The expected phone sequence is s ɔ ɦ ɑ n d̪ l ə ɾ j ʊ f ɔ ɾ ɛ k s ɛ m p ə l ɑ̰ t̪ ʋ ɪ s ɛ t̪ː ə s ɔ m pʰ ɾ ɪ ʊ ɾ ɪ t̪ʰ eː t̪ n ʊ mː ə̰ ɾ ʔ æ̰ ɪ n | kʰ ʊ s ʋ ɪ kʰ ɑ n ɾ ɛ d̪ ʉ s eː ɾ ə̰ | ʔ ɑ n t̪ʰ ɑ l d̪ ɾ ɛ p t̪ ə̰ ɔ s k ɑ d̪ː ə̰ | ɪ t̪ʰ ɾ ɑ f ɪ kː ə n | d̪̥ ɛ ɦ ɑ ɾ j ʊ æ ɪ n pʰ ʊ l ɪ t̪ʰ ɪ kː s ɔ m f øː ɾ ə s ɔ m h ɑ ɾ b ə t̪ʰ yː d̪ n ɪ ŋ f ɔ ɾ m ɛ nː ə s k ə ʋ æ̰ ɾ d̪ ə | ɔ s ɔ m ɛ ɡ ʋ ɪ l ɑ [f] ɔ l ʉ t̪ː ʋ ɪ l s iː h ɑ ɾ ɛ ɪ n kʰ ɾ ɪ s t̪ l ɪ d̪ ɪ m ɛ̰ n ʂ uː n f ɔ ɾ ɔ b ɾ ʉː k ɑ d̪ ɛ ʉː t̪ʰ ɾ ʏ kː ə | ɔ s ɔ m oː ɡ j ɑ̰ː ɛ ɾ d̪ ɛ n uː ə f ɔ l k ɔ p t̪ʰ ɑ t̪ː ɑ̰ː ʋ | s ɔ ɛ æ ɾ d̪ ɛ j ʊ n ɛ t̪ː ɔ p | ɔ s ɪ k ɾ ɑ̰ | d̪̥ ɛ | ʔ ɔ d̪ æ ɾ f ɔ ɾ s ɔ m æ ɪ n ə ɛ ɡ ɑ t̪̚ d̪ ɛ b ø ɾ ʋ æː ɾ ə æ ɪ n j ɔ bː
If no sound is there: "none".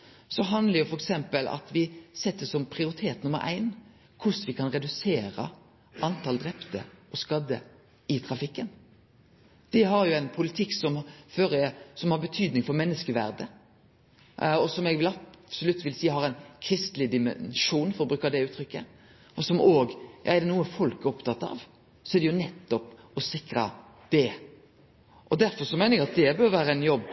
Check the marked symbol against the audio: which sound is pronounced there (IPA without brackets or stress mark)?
s